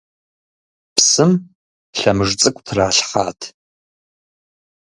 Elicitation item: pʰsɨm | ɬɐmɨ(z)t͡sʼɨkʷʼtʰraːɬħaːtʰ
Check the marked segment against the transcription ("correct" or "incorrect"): incorrect